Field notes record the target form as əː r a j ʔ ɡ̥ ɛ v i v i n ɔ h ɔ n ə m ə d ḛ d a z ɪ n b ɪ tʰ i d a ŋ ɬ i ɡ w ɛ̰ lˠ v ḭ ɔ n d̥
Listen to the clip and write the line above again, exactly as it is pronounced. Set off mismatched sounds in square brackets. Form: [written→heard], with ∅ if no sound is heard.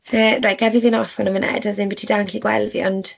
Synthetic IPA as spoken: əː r a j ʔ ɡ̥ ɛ v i v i n ɔ [h→f] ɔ n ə m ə [d→n] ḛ d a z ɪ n b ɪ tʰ i d a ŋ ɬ i ɡ w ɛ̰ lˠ v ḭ ɔ n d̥